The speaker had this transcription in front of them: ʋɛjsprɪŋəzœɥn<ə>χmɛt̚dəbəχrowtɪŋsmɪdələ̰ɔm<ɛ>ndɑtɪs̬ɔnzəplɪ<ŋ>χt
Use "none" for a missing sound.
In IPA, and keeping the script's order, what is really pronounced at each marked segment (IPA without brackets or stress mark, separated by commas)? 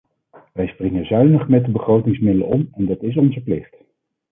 ə, ɛ, none